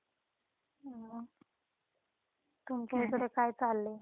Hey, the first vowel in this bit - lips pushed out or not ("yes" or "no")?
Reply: yes